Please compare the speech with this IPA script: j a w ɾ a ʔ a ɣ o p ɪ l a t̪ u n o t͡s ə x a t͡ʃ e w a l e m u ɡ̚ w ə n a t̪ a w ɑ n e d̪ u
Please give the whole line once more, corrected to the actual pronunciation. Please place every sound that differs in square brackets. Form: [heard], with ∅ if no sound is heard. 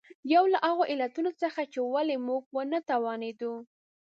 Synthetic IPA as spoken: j a w [l] a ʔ a ɣ o [ʔ] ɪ l a t̪ u n o t͡s ə x a t͡ʃ e w a l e m u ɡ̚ w ə n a t̪ a w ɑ n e d̪ u